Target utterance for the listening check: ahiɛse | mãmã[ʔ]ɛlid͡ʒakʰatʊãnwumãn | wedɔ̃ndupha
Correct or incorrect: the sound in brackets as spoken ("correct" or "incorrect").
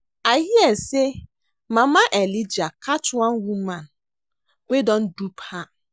correct